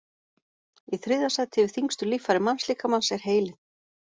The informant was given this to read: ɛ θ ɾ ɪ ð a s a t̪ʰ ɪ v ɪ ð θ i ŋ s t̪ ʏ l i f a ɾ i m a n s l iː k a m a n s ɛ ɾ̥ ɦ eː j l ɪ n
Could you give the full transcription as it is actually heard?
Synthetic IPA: i θ ɾ ɪ ð a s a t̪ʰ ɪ v ɪ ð θ i ŋ s t̪ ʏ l i f a ɾ ɪ m a n s l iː k a m a n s ɛ ɾ̥ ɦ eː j l ɪ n